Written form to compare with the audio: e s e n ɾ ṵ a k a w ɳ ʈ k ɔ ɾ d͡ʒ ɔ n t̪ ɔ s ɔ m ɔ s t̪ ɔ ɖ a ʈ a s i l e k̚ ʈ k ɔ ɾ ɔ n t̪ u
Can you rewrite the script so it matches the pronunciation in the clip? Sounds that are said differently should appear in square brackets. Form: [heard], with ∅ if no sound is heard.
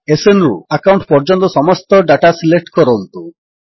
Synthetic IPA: e s e n ɾ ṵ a k a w ɳ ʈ [p] ɔ ɾ d͡ʒ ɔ n t̪ ɔ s ɔ m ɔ s t̪ ɔ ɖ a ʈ a s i l e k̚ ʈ k ɔ ɾ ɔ n t̪ u